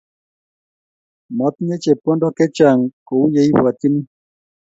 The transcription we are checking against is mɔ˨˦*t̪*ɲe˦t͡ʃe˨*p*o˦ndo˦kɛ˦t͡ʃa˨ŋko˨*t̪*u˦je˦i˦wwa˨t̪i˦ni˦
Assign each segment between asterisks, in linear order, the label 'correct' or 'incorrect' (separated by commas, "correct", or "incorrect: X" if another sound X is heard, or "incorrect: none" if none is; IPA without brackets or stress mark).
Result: correct, correct, incorrect: none